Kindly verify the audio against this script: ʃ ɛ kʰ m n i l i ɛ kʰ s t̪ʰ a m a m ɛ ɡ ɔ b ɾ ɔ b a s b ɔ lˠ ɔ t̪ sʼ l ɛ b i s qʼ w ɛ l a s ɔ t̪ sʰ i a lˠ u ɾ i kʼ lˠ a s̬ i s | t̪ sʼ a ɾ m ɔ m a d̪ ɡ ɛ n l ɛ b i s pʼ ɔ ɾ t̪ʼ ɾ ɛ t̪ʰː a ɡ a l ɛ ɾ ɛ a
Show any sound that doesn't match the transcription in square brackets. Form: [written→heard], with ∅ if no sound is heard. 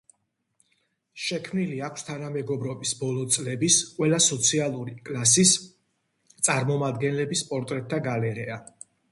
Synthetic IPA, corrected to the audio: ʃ ɛ kʰ m n i l i [ɛ→a] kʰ s t̪ʰ a [m→n] a m ɛ ɡ ɔ b ɾ ɔ b [a→i] s b ɔ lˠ ɔ t̪ sʼ l ɛ b i s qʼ w ɛ l a s ɔ t̪ sʰ i a lˠ u ɾ i kʼ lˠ a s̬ i s | t̪ sʼ a ɾ m ɔ m a d̪ ɡ ɛ n l ɛ b i s pʼ ɔ ɾ t̪ʼ ɾ ɛ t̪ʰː a ɡ a l ɛ ɾ ɛ a